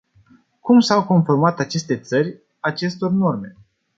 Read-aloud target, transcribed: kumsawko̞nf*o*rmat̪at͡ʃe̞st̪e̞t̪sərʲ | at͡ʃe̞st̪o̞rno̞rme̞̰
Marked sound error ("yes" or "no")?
no